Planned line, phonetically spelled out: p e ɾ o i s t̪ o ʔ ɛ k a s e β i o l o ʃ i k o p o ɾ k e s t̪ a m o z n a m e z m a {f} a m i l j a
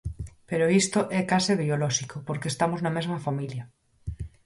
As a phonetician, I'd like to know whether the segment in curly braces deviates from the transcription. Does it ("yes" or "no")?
no